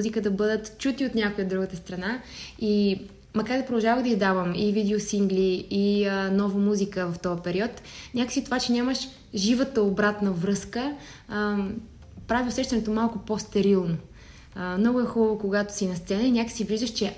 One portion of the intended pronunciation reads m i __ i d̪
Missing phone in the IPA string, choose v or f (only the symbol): v